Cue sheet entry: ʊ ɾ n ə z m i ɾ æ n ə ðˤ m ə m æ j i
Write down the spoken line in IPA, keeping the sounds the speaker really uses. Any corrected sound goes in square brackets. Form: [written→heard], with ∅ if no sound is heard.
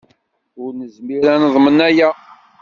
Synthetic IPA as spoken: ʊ ɾ n ə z m i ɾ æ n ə ðˤ m ə [m→n] æ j [i→æ]